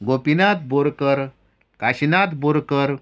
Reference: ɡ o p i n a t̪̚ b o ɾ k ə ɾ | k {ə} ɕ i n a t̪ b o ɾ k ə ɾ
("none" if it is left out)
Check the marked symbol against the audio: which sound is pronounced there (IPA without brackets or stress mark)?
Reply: a